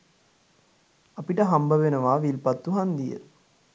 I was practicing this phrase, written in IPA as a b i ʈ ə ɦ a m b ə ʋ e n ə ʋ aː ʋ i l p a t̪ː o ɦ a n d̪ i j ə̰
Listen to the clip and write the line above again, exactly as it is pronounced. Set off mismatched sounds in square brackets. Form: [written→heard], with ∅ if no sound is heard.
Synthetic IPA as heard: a [b→p] i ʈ ə ɦ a m b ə ʋ e n ə ʋ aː ʋ i l p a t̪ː [o→u] ɦ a n d̪ i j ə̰